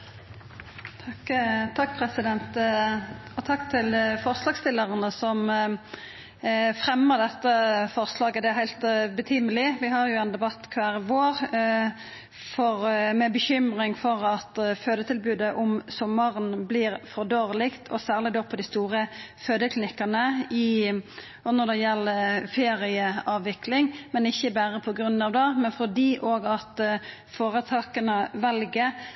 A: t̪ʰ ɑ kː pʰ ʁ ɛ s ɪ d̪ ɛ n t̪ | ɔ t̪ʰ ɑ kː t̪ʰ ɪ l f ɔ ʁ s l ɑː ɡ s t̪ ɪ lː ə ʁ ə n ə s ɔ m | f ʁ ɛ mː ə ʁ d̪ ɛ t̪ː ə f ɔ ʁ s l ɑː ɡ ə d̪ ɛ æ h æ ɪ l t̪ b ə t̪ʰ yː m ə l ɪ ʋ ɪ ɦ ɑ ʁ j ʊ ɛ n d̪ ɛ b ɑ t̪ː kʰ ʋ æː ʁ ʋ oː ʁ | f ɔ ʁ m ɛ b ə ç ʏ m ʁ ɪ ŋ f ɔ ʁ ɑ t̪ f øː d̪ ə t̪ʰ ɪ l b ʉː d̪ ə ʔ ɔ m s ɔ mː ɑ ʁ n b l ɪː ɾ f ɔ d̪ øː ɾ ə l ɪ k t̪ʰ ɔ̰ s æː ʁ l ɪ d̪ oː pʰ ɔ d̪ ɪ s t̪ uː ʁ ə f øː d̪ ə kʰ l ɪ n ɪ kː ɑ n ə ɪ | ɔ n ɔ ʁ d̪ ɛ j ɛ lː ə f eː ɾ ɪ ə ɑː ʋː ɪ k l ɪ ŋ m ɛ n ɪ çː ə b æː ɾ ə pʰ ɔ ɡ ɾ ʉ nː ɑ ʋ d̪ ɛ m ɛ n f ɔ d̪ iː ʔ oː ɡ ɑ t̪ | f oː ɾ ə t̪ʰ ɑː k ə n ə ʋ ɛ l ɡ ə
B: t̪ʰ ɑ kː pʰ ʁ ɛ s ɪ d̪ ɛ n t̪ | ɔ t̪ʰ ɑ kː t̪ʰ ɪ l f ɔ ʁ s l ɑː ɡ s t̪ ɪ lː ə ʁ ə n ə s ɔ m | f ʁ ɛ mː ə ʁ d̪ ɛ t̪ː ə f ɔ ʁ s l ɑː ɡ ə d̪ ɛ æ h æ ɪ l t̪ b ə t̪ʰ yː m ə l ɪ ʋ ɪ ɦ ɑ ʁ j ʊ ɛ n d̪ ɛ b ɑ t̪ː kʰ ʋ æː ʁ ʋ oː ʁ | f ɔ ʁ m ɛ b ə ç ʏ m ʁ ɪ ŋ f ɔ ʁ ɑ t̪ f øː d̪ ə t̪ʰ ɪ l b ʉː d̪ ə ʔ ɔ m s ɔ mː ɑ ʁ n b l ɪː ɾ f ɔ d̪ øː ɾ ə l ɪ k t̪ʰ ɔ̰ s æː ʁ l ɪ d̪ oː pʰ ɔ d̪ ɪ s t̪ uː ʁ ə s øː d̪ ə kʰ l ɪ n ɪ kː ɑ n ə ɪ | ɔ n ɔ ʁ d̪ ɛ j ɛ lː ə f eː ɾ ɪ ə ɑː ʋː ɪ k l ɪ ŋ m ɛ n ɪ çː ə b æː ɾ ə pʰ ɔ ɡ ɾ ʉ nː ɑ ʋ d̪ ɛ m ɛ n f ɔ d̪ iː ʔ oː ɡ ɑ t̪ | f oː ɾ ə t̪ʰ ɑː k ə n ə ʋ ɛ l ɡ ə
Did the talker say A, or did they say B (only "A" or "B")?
A